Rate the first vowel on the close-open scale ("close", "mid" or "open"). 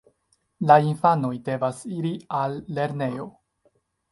open